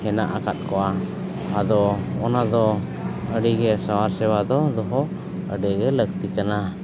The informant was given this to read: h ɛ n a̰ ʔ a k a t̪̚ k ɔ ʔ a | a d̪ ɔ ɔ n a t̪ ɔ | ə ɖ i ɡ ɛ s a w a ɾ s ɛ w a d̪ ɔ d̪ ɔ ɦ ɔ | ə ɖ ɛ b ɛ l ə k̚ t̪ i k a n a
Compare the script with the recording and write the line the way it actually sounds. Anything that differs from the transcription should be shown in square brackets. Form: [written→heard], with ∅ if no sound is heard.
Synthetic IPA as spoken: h ɛ n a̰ ʔ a k a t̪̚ k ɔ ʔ a | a d̪ ɔ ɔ n a [t̪→d̪] ɔ | ə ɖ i ɡ ɛ s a w a ɾ s ɛ w a d̪ ɔ d̪ ɔ ɦ ɔ | ə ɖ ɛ [b→ɡ] ɛ l ə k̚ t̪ i k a n a